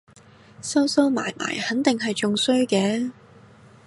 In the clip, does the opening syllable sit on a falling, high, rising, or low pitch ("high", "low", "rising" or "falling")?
high